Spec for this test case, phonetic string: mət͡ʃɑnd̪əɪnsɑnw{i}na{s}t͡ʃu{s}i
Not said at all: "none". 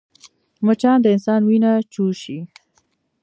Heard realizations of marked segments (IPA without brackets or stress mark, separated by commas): i, none, ʃ